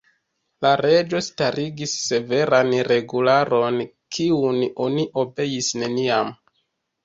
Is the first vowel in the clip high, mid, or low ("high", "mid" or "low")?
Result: low